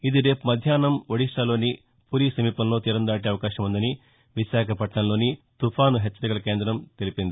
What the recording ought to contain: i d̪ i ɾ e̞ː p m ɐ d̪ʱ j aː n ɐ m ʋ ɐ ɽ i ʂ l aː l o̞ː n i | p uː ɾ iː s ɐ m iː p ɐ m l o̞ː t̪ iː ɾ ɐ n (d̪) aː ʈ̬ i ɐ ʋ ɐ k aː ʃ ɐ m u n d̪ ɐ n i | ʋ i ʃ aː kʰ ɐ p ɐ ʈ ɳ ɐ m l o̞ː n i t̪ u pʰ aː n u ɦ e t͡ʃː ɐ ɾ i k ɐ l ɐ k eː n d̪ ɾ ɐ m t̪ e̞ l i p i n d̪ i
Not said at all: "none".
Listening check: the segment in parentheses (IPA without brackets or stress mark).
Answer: d̪